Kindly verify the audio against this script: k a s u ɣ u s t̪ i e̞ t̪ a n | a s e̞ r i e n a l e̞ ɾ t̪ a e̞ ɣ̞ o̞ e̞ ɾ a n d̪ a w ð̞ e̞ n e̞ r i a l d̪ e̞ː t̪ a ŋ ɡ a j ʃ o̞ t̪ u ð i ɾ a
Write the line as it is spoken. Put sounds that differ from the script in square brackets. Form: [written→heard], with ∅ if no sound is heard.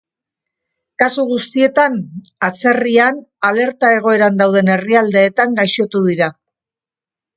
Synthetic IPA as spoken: k a s u ɣ u s t̪ i e̞ t̪ a n | a [s→t͡s] e̞ r i [e→a] n a l e̞ ɾ t̪ a e̞ ɣ̞ o̞ e̞ ɾ a n d̪ a w ð̞ e̞ n e̞ r i a l d̪ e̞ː t̪ a ŋ ɡ a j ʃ o̞ t̪ u ð i ɾ a